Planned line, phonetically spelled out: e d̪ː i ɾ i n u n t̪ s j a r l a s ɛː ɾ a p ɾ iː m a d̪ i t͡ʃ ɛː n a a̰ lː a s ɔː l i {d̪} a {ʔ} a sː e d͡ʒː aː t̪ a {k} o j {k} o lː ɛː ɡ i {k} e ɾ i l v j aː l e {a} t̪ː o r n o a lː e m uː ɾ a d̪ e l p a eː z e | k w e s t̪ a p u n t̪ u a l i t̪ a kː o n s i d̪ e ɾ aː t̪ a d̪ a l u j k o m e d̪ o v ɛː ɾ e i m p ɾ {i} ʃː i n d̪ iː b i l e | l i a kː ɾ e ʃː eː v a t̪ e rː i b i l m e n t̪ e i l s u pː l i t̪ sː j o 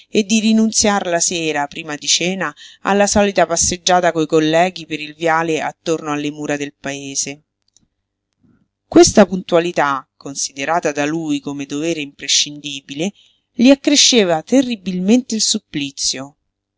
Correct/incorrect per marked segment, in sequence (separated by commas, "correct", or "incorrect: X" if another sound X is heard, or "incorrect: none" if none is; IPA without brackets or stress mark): incorrect: t̪, incorrect: p, correct, correct, incorrect: p, correct, incorrect: e